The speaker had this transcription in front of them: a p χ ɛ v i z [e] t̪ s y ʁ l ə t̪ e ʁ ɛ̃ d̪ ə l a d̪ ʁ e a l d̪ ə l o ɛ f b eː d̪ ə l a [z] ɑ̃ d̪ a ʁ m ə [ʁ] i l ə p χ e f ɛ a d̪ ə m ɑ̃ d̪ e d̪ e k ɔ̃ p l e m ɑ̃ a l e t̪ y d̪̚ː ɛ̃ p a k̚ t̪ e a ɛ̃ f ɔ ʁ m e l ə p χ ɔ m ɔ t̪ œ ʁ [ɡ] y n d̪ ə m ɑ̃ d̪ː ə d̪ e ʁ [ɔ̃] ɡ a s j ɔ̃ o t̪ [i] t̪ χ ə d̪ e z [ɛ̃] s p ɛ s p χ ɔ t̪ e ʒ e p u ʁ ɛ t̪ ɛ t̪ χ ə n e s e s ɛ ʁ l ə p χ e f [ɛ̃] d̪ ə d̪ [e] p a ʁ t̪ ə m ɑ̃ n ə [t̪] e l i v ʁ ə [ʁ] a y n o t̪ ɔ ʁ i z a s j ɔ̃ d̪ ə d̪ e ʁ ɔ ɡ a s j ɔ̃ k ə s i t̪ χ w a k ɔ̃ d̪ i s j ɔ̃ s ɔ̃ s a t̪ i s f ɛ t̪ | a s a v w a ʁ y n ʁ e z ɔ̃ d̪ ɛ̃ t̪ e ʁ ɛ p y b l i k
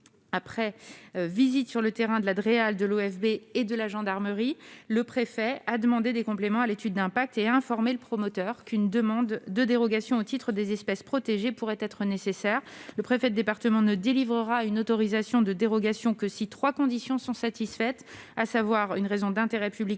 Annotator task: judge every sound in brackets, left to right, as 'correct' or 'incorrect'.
incorrect, incorrect, correct, incorrect, incorrect, correct, incorrect, incorrect, correct, incorrect, correct

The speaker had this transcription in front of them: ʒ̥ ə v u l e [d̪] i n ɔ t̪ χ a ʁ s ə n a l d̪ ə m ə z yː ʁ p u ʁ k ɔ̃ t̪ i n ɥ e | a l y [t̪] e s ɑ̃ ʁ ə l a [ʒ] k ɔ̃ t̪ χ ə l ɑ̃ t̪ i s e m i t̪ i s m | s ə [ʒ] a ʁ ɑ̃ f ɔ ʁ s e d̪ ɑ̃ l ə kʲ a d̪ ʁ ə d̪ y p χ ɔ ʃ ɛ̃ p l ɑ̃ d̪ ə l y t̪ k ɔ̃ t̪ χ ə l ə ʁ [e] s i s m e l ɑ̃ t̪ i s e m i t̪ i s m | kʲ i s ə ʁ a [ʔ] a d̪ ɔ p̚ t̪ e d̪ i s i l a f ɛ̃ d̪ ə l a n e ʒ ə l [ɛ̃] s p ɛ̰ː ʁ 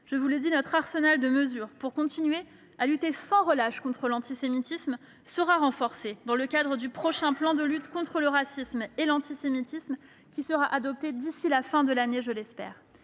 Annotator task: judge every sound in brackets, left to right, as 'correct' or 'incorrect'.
correct, correct, incorrect, incorrect, incorrect, correct, incorrect

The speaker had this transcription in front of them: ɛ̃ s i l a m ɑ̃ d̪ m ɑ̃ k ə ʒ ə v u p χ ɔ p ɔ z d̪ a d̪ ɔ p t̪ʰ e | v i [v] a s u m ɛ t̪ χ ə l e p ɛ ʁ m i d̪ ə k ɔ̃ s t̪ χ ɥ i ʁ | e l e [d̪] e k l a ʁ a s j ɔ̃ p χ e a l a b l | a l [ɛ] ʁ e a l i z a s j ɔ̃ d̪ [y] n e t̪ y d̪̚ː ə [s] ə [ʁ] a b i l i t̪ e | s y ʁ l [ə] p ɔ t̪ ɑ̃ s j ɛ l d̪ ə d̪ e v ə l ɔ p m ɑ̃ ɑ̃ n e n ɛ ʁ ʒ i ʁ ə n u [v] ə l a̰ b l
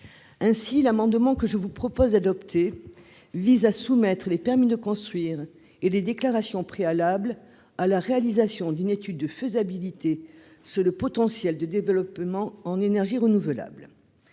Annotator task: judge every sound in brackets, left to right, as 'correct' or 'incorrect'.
incorrect, correct, incorrect, correct, incorrect, incorrect, correct, correct

